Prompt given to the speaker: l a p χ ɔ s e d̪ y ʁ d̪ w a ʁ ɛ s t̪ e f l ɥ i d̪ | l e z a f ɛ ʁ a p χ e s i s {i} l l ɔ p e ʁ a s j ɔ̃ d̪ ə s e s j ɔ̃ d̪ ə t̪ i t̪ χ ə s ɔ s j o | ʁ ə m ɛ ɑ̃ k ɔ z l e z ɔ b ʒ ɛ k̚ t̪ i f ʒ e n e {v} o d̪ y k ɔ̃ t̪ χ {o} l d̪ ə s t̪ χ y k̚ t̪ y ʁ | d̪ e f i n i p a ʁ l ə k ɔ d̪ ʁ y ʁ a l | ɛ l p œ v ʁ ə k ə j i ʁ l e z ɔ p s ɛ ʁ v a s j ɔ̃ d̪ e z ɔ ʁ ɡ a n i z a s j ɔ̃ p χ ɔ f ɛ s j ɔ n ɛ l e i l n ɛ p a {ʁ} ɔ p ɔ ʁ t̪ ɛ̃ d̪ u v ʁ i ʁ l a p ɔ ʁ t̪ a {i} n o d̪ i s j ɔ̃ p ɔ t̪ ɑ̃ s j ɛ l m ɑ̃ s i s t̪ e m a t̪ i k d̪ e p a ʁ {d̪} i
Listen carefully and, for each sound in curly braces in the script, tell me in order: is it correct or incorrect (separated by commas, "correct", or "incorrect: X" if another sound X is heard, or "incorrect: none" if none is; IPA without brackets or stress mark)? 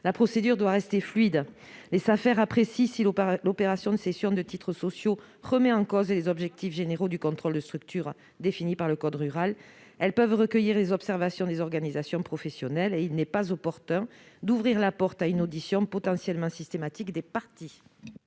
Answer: correct, incorrect: ʁ, incorrect: ɔ, incorrect: z, incorrect: y, incorrect: t̪